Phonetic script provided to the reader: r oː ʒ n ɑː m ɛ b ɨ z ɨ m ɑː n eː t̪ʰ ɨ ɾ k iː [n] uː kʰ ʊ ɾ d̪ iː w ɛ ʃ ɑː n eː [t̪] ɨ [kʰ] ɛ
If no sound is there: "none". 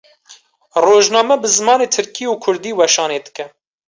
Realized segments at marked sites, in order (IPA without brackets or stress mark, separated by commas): none, d̪, k